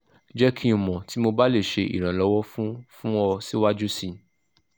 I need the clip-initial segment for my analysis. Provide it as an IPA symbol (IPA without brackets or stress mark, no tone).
d͡ʒ